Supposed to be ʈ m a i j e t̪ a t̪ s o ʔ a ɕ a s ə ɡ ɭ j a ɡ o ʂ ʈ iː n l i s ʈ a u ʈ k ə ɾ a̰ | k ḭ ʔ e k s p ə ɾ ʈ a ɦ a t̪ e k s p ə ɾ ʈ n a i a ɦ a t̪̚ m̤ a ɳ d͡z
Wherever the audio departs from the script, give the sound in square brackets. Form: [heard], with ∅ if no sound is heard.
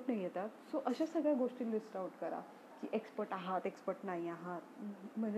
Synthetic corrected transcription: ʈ [n] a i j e t̪ a t̪ s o ʔ [ə] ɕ a s ə ɡ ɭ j a ɡ o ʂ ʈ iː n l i s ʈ a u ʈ k ə ɾ a̰ | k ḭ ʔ e k s p ə ɾ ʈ a ɦ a t̪ e k s p ə ɾ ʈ n a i a ɦ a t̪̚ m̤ [ə] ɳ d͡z